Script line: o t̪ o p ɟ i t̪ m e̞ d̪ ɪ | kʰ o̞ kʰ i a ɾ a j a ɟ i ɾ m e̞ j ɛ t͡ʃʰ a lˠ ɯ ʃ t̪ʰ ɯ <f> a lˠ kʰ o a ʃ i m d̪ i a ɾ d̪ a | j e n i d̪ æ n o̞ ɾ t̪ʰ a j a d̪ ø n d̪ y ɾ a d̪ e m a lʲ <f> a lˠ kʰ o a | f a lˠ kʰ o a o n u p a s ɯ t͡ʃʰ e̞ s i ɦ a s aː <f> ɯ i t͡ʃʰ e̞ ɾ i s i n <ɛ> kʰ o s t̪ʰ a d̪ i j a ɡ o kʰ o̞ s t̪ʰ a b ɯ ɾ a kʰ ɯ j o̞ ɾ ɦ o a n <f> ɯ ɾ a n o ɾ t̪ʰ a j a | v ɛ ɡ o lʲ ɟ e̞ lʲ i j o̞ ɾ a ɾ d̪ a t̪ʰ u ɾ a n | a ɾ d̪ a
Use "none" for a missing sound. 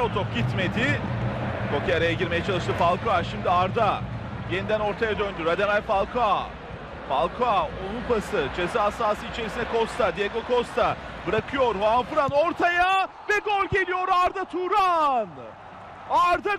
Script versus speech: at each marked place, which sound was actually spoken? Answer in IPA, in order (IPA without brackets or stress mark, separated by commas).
f, f, s, ɛ, f